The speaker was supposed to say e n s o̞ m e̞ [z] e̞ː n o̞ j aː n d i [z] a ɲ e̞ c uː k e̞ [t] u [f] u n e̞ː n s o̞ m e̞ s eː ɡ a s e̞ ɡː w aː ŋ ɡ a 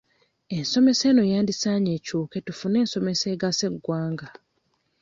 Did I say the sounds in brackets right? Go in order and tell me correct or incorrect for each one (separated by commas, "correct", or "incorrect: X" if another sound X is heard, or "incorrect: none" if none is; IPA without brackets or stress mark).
incorrect: s, incorrect: s, correct, correct